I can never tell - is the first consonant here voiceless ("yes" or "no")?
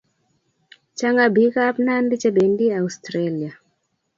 yes